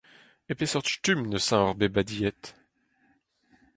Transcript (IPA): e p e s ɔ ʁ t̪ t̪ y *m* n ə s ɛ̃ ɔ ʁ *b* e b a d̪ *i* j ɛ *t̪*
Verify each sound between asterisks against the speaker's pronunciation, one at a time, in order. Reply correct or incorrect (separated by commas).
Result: correct, correct, correct, correct